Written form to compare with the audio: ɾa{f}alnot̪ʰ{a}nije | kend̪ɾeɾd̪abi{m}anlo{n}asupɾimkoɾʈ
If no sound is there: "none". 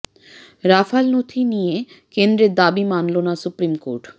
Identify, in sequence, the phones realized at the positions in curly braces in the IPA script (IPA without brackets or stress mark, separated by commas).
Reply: f, i, m, n